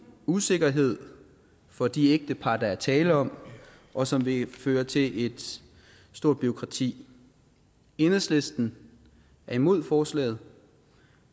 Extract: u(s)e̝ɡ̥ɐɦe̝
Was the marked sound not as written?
no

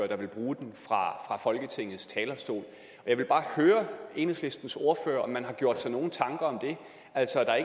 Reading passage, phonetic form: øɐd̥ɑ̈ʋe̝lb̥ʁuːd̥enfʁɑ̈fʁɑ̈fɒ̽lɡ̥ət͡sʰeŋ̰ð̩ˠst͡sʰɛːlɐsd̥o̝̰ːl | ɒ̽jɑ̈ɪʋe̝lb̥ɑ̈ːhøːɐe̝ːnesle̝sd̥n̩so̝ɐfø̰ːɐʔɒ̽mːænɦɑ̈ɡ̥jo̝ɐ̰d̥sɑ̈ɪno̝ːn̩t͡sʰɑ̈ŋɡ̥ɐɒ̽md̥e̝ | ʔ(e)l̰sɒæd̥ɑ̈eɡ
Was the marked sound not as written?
yes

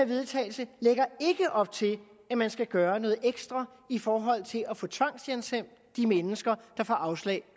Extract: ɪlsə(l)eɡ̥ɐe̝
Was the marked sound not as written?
no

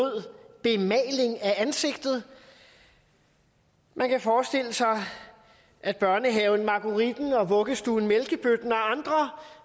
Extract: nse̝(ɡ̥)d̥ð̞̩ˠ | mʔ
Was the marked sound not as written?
no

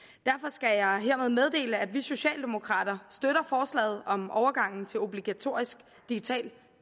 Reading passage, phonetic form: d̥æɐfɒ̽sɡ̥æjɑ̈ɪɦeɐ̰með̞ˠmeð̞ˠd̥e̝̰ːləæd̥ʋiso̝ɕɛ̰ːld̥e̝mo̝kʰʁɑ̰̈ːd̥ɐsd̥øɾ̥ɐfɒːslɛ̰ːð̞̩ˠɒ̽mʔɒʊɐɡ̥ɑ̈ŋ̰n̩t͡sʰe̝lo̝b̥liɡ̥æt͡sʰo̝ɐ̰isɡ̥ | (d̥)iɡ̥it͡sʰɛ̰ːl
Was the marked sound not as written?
no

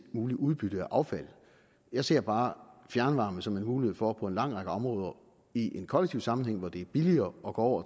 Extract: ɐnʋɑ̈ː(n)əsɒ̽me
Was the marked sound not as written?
yes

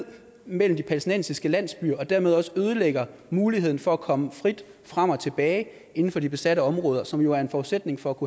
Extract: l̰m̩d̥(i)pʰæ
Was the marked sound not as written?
no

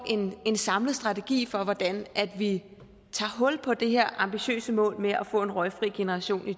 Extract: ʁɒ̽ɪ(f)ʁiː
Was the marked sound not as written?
no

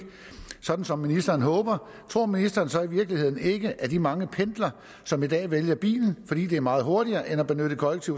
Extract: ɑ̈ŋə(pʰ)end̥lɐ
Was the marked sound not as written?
no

